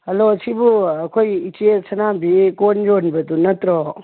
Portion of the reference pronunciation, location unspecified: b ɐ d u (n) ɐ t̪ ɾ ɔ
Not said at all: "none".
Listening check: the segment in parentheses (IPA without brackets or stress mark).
n